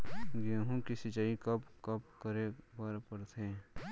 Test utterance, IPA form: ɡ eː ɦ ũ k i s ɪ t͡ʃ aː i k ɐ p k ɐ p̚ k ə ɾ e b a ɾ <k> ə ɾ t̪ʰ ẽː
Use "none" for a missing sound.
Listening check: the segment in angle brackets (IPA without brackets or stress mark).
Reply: p